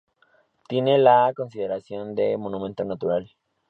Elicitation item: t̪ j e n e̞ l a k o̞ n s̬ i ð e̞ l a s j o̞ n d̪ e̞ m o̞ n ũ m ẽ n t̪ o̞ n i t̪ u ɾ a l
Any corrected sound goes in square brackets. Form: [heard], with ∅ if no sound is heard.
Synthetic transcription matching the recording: t̪ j e n e̞ l a k o̞ n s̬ i ð e̞ [ɾ] a s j o̞ n d̪ e̞ m o̞ n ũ m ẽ n t̪ o̞ n [a] t̪ u ɾ a l